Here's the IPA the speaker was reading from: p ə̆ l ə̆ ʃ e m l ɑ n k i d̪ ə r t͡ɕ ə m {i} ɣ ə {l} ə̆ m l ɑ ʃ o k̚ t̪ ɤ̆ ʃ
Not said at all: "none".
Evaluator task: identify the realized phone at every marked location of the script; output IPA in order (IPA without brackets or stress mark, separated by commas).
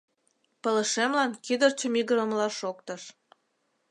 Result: i, ɾ